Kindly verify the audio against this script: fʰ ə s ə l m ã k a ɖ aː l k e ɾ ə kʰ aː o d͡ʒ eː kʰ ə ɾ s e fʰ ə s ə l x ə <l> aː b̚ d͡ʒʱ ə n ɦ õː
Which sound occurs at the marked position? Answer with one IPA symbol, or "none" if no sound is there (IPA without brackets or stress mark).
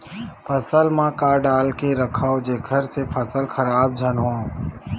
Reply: ɾ